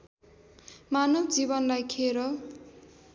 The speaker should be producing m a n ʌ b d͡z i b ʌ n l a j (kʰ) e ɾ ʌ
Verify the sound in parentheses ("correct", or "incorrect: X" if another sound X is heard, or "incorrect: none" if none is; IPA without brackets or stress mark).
correct